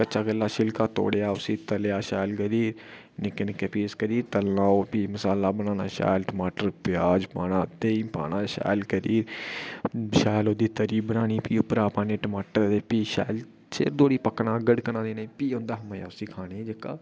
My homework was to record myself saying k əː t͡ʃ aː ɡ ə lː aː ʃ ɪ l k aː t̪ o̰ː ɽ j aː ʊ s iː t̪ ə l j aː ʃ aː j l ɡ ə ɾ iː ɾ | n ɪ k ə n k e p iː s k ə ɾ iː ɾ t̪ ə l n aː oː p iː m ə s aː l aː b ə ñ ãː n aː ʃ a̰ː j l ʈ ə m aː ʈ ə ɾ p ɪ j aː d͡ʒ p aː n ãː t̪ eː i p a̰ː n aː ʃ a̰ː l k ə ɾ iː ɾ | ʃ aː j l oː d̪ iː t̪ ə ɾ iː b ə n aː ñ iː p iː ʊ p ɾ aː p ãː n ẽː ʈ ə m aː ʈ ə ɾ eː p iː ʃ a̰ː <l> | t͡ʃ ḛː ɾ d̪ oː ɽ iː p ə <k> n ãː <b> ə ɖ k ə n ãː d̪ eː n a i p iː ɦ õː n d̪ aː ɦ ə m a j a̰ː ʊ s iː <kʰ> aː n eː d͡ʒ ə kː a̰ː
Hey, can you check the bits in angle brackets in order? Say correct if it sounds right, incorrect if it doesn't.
correct, correct, incorrect, correct

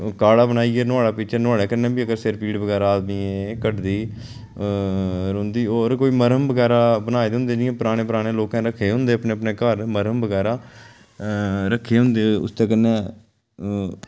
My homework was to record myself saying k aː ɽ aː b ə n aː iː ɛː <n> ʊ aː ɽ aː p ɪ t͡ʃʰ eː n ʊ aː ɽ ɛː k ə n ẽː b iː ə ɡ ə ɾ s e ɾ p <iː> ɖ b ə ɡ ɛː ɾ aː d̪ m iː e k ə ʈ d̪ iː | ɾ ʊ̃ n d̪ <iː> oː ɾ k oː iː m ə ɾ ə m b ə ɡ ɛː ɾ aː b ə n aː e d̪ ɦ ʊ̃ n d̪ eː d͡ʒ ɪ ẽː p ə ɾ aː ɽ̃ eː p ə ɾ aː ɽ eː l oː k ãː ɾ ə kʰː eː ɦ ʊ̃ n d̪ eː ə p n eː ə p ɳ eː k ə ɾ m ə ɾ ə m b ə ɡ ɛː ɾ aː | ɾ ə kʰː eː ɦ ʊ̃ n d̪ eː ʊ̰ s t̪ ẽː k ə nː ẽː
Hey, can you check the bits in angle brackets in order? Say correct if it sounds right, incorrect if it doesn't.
correct, correct, correct

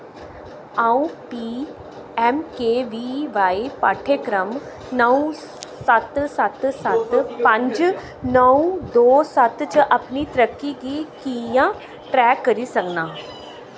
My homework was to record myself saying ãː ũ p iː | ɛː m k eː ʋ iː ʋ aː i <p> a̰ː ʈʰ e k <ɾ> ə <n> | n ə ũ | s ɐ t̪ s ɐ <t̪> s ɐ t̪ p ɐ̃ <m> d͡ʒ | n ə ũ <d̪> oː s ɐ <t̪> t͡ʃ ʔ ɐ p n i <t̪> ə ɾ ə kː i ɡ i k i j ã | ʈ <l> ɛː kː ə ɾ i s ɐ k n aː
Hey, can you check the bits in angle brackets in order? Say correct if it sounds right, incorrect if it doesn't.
correct, correct, incorrect, correct, incorrect, correct, correct, correct, incorrect

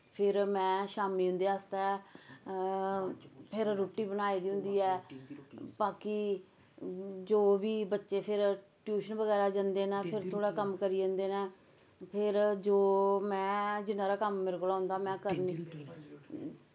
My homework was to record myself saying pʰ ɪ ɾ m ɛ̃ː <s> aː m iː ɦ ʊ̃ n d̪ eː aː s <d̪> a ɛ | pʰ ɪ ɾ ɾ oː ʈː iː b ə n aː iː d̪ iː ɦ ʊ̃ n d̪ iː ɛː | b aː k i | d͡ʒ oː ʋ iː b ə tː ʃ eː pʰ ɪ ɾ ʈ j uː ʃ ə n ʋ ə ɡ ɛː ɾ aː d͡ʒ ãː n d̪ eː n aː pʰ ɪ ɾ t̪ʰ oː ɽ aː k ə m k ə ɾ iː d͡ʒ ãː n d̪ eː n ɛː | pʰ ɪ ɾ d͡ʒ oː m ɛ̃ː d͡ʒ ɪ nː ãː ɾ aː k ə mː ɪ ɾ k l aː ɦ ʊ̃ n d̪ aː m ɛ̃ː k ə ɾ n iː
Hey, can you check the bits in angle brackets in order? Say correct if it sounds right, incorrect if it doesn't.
incorrect, incorrect

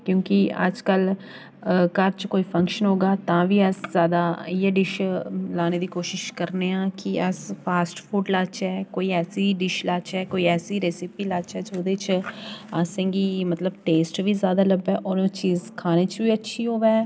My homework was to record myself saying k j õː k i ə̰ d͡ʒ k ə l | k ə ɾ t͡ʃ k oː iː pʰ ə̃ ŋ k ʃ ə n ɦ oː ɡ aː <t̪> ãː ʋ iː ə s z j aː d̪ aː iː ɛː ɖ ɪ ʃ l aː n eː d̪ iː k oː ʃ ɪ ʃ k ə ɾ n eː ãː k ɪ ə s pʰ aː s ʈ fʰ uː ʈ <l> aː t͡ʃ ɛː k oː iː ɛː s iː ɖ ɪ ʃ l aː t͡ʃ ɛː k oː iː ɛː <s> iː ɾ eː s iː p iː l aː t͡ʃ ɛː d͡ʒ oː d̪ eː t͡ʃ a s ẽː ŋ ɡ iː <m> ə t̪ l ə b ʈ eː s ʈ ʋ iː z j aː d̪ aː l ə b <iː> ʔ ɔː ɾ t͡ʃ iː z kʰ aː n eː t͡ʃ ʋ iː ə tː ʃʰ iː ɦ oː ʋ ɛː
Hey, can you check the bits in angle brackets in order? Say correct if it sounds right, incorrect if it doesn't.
correct, correct, correct, correct, incorrect

